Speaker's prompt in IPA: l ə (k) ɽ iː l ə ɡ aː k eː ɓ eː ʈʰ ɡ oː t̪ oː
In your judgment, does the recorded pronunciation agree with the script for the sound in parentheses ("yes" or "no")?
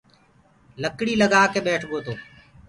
yes